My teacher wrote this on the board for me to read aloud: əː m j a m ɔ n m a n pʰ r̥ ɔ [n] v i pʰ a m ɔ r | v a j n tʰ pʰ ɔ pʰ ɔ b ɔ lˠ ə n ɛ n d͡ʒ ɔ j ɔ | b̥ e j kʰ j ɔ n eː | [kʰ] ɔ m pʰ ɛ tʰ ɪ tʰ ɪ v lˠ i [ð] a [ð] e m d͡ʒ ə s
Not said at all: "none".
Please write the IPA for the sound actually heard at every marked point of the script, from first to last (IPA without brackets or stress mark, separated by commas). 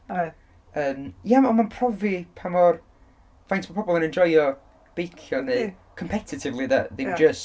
none, kʰ, ð, ð